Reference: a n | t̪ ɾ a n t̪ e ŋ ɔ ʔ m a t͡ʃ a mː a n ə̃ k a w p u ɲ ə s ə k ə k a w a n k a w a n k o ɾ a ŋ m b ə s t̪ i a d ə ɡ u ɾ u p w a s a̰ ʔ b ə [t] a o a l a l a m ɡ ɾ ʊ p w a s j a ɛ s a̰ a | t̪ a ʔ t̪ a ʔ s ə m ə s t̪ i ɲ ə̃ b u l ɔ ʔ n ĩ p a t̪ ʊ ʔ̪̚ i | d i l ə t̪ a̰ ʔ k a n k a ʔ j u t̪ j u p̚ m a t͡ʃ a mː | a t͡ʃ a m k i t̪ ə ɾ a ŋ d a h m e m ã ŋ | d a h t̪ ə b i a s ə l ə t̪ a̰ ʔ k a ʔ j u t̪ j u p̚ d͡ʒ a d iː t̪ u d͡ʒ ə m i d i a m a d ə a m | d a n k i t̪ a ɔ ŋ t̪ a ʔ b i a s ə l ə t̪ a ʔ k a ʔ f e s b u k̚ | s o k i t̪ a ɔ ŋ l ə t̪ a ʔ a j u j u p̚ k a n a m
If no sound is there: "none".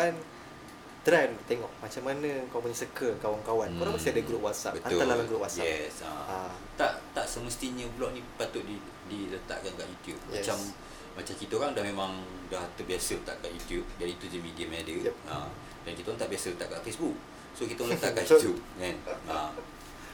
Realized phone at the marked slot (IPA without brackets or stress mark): t